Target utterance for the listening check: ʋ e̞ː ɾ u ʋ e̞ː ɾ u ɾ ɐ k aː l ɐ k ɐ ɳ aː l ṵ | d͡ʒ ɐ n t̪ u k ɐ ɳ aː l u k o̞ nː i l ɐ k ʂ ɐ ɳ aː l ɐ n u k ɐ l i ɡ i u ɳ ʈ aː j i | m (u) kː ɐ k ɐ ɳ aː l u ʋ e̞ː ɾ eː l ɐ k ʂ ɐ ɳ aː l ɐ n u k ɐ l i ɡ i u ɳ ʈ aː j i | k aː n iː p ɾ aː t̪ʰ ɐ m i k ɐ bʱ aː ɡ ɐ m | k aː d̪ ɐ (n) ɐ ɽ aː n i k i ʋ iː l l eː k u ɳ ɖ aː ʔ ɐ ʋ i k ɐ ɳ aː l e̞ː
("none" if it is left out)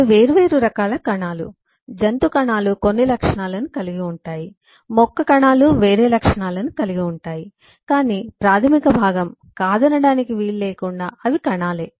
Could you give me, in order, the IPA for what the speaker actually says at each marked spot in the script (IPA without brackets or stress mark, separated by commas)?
ɔ, n